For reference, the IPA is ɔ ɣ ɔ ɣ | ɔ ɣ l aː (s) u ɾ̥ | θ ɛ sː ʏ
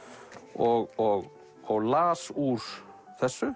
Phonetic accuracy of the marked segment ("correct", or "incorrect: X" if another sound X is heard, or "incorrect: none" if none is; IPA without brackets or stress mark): correct